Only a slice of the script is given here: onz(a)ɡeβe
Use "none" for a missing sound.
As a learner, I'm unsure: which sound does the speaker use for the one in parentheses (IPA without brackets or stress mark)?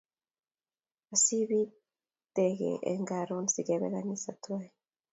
i